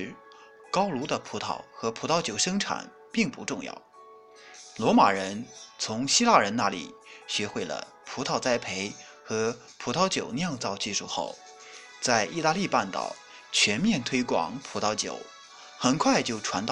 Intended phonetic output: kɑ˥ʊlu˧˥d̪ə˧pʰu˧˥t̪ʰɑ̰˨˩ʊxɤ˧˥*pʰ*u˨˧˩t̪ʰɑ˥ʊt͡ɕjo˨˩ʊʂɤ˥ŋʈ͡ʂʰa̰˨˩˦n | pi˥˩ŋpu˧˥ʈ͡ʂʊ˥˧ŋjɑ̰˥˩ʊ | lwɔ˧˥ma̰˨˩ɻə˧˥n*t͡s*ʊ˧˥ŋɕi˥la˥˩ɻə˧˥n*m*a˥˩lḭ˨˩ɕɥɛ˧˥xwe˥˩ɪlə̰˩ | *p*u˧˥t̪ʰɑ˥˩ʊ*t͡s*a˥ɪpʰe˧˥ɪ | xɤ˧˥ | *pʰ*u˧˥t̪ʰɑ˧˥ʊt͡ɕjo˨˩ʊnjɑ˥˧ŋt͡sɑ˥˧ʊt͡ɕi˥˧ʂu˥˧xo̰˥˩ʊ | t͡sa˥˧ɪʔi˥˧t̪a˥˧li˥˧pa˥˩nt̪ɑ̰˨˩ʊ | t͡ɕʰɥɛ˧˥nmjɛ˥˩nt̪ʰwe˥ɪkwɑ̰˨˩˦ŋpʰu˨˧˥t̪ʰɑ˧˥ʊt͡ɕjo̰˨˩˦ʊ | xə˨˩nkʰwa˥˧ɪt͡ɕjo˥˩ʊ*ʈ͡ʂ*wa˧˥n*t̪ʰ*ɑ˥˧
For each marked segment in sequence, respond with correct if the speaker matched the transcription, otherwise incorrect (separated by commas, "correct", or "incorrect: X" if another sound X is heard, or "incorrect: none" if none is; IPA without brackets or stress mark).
correct, incorrect: t͡sʰ, incorrect: n, incorrect: pʰ, correct, correct, incorrect: ʈ͡ʂʰ, incorrect: t̪